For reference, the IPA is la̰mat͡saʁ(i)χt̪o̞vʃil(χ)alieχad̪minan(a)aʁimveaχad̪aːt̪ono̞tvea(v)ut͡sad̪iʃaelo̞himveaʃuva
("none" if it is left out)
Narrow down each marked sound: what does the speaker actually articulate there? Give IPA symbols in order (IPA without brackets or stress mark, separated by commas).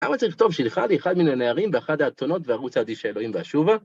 i, χ, e, ʁ